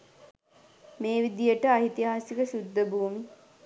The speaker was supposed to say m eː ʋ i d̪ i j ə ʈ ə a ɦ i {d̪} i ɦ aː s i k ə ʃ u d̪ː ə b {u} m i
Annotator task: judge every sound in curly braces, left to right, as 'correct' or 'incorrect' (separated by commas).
incorrect, incorrect